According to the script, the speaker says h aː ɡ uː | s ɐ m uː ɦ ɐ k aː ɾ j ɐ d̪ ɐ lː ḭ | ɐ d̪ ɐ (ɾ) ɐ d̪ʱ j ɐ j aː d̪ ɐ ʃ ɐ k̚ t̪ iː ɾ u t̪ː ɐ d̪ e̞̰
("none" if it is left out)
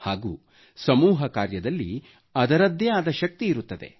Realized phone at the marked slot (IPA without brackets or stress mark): ɾ